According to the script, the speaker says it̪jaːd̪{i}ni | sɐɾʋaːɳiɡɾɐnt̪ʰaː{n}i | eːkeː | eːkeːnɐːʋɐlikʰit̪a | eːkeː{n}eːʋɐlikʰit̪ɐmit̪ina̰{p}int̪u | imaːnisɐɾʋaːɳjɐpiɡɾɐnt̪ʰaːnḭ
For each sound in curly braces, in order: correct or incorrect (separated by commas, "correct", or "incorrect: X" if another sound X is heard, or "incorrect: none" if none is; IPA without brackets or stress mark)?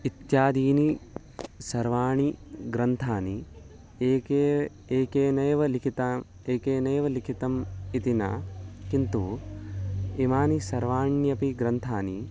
incorrect: iː, correct, correct, incorrect: k